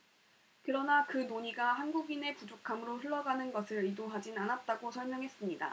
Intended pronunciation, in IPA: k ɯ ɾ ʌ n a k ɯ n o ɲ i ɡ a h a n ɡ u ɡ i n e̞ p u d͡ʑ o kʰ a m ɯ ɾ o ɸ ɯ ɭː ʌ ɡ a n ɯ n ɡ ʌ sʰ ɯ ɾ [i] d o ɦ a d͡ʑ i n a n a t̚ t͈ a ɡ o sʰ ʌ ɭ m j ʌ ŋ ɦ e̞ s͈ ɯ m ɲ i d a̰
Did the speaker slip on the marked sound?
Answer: no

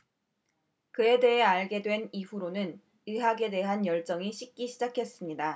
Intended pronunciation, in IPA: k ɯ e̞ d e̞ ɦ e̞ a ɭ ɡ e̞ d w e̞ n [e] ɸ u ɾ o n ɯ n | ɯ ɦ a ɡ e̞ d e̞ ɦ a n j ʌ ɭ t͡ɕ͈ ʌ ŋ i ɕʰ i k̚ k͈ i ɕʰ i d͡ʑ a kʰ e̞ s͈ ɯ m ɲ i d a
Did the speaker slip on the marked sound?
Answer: yes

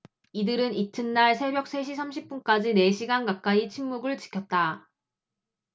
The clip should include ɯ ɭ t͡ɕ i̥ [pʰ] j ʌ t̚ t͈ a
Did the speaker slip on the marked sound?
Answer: yes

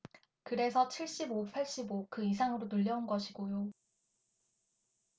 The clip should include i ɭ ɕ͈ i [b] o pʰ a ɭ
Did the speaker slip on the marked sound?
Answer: no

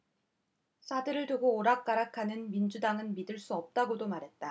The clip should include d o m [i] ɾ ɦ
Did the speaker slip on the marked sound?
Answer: yes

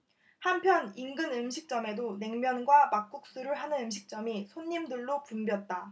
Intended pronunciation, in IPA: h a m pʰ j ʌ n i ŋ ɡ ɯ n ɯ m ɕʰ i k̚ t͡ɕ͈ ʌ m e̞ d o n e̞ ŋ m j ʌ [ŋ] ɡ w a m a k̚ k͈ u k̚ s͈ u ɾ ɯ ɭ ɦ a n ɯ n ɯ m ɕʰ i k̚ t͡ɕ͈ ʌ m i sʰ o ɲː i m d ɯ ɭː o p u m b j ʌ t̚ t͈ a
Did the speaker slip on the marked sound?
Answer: yes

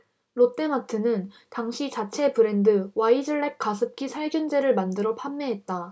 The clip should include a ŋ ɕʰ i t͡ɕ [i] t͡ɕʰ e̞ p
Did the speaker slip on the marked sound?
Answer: yes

